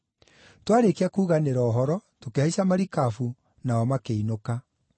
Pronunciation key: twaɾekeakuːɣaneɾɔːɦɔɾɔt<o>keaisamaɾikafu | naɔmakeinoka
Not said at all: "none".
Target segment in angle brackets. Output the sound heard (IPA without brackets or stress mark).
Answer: o